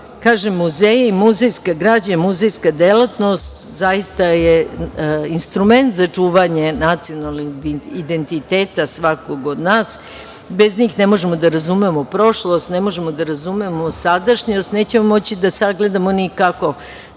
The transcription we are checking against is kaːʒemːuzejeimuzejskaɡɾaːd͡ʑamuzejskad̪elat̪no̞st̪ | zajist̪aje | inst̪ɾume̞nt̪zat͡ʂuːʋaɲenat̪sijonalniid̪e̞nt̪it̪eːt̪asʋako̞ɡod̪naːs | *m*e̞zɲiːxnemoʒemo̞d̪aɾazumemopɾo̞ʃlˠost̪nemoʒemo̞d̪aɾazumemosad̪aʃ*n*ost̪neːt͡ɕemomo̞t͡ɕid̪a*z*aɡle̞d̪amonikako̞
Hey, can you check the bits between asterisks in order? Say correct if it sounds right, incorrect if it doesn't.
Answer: incorrect, incorrect, incorrect

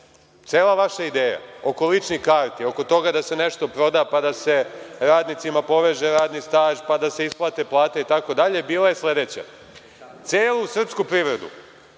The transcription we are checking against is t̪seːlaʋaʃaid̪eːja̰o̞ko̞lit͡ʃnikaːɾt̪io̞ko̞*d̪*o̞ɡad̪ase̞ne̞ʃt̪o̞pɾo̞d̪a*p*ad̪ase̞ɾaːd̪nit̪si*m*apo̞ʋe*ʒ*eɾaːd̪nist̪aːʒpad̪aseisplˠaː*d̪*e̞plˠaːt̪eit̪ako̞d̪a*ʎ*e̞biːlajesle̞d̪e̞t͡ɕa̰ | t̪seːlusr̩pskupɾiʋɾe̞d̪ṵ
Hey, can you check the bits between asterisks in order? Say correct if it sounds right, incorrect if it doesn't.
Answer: incorrect, correct, correct, correct, incorrect, correct

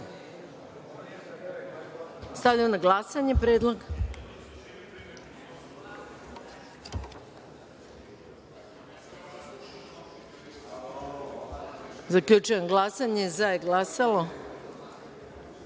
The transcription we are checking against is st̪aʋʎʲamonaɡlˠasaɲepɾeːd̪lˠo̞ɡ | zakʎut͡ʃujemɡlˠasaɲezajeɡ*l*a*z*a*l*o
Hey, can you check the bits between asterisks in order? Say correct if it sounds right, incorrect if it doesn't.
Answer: correct, incorrect, correct

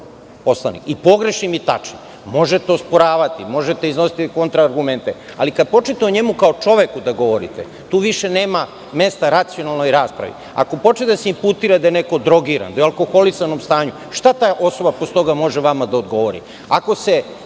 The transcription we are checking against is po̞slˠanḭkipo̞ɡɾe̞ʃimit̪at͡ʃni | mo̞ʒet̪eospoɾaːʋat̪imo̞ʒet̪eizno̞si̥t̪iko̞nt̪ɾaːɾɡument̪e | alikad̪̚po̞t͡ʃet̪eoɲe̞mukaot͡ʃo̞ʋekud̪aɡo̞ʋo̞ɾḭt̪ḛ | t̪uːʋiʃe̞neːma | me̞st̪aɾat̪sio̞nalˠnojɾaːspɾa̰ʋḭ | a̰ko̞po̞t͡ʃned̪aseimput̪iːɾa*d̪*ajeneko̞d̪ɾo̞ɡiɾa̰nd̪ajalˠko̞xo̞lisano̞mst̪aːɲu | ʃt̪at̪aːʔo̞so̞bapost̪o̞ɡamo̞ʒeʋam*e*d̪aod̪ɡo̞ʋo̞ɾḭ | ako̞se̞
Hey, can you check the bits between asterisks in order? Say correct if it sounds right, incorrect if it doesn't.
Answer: correct, incorrect

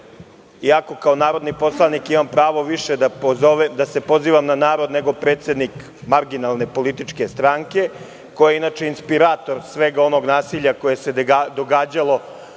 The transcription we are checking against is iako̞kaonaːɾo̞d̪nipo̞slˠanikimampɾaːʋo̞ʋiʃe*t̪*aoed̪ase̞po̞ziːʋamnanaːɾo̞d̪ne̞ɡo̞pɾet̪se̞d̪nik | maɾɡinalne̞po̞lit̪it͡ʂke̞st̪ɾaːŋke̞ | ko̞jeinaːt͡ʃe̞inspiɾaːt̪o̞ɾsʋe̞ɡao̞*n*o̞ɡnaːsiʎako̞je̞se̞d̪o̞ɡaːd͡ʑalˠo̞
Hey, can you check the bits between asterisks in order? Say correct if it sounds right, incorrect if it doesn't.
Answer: incorrect, correct

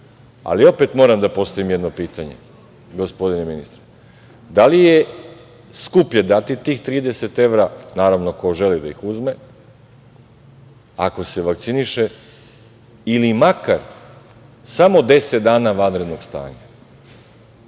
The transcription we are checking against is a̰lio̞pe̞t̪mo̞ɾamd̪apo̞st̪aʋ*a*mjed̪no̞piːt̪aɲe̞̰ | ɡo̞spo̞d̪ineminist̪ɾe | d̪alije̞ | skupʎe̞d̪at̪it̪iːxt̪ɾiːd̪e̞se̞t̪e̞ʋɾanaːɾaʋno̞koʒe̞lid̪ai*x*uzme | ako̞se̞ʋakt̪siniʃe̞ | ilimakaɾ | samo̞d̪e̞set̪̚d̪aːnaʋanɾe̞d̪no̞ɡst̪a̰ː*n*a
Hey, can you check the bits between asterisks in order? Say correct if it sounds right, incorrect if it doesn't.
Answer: incorrect, correct, incorrect

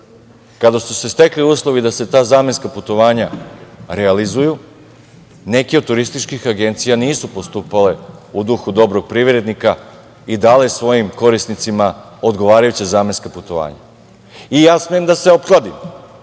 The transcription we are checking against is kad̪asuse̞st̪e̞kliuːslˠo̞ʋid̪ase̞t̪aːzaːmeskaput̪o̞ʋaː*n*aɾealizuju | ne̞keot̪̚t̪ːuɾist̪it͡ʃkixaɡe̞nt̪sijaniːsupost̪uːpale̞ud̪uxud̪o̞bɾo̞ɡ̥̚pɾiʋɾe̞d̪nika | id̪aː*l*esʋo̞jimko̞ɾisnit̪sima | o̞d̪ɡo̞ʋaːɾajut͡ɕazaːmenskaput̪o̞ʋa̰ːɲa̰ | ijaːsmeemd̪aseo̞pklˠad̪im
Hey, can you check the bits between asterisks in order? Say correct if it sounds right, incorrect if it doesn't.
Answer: incorrect, correct

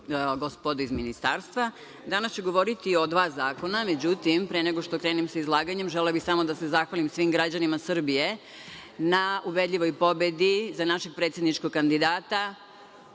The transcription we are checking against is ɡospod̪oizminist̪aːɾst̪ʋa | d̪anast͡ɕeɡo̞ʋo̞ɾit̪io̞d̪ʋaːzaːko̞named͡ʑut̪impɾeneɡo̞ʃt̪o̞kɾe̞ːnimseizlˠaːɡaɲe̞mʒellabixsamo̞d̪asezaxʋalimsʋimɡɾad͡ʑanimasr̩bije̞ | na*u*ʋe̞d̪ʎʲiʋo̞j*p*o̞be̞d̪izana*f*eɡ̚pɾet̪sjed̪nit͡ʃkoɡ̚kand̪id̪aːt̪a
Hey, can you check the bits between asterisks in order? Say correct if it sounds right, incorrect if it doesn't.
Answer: correct, correct, incorrect

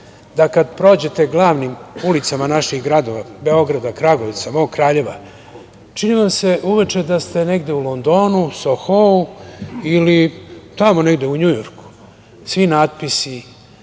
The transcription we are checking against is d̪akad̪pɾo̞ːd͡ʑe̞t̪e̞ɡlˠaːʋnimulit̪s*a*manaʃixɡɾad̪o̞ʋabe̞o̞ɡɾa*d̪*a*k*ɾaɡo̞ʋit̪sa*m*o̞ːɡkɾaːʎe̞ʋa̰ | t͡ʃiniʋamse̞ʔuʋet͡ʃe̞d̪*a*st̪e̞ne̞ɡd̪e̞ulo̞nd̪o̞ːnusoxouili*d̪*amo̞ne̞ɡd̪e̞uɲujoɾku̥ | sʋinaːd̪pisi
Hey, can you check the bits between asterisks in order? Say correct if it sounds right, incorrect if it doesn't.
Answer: correct, correct, correct, correct, correct, incorrect

